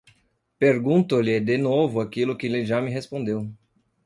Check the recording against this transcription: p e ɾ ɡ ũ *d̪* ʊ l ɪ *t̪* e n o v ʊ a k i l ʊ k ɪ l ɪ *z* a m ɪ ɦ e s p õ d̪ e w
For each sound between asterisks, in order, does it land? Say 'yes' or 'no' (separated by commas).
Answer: no, no, no